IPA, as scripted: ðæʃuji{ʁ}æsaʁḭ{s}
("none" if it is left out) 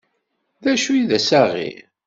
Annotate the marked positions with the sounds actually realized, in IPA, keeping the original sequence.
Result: ð, none

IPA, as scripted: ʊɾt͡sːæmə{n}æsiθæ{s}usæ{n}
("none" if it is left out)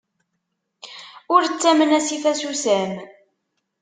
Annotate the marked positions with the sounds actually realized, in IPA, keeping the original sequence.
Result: n, s, m

